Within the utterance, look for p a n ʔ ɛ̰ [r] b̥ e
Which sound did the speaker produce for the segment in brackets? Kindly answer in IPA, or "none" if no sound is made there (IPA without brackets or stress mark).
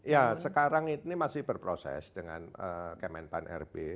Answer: r